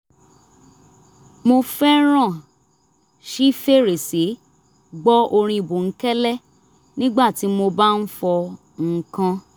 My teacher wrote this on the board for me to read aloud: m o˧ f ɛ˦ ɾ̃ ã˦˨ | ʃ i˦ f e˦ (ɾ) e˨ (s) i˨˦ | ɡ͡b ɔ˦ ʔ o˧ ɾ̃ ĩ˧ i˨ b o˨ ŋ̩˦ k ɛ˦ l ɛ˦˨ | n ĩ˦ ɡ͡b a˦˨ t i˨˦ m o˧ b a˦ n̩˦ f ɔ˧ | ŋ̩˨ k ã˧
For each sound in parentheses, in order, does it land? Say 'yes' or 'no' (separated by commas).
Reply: yes, yes